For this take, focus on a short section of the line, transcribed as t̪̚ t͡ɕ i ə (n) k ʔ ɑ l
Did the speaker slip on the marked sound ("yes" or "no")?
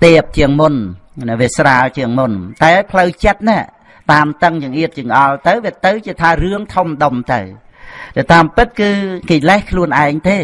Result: yes